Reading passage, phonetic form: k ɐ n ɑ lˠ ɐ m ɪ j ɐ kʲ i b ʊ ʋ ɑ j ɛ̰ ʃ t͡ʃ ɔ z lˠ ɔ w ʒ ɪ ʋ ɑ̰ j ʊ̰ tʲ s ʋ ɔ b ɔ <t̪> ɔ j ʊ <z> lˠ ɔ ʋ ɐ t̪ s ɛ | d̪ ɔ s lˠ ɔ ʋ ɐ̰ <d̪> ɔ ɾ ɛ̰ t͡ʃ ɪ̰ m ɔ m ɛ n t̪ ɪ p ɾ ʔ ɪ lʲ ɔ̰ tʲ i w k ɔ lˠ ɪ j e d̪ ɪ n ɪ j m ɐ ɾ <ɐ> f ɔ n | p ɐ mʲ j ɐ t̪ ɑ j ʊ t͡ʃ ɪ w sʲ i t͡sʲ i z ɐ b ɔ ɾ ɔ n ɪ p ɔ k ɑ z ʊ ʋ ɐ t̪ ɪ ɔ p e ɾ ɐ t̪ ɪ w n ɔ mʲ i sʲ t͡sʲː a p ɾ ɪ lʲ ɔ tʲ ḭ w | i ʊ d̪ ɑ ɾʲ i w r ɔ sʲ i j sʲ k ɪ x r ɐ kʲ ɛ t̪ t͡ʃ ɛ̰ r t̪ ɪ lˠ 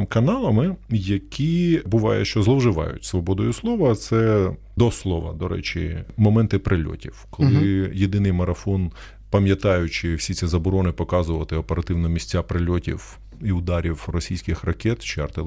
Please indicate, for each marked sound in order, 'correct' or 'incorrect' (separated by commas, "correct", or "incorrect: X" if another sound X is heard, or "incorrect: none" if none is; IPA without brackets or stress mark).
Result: incorrect: d̪, incorrect: s, correct, correct